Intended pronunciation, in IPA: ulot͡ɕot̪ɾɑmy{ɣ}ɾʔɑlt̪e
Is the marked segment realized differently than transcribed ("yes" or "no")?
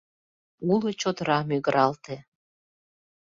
no